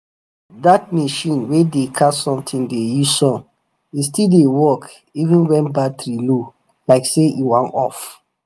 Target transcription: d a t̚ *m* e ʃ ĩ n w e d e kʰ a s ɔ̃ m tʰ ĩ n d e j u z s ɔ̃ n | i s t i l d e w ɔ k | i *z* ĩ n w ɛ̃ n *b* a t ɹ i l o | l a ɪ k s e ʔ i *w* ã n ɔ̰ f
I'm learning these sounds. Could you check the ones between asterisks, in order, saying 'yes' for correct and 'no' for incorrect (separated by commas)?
yes, no, yes, yes